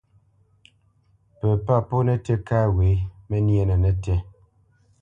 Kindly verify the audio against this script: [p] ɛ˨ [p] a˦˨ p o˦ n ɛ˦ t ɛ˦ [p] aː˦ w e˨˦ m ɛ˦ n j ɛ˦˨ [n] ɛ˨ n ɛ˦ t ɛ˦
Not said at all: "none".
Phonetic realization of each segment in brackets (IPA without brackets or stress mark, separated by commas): p, p, k, n